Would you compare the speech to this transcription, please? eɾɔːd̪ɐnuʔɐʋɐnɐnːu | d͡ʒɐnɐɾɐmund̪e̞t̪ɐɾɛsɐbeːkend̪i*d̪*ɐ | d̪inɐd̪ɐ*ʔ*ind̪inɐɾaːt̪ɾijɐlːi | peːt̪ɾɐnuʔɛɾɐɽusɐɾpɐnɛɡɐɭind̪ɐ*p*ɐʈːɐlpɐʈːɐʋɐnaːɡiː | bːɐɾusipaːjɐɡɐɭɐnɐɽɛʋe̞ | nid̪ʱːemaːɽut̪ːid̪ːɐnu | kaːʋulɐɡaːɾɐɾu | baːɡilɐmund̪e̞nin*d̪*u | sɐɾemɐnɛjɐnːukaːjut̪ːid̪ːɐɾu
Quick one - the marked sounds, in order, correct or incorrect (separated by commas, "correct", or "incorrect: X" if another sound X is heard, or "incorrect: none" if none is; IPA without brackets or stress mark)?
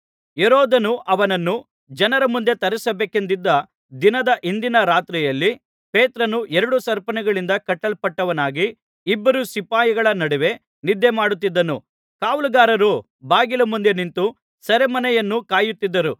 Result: incorrect: d̪ː, correct, incorrect: k, incorrect: t̪